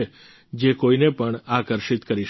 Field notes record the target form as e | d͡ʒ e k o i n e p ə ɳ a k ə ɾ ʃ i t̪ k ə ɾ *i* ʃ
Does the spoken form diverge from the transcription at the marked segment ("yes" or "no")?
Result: no